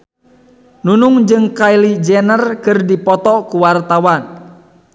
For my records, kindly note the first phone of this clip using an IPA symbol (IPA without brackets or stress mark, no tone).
n